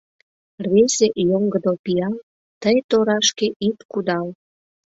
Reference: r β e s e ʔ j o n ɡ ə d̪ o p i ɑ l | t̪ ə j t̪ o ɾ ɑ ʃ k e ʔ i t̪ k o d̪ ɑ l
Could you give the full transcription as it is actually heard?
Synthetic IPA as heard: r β e s e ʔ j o ŋ ɡ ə d̪ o p i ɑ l | t̪ ə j t̪ o ɾ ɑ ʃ k e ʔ i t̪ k u d̪ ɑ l